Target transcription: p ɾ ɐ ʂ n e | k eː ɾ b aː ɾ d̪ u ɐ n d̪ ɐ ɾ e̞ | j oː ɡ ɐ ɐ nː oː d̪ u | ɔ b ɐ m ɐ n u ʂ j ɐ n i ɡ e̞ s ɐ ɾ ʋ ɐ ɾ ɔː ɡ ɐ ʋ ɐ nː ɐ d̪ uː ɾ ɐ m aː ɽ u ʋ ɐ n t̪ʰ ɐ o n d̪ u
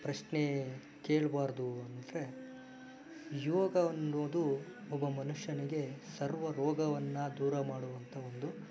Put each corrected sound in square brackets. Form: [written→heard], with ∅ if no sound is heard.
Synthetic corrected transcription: p ɾ ɐ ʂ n e | k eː [ɾ→ɭ] b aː ɾ d̪ u ɐ n d̪ ɐ ɾ e̞ | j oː ɡ ɐ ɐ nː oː d̪ u | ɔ b ɐ m ɐ n u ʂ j ɐ n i ɡ e̞ s ɐ ɾ ʋ ɐ ɾ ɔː ɡ ɐ ʋ ɐ nː ɐ d̪ uː ɾ ɐ m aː ɽ u ʋ ɐ n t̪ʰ ɐ o n d̪ u